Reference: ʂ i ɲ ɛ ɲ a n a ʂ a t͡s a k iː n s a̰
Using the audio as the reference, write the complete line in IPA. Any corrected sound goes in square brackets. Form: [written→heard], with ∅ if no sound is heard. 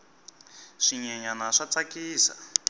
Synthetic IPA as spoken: ʂ i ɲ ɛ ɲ a n a ʂ a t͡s a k iː [n→∅] s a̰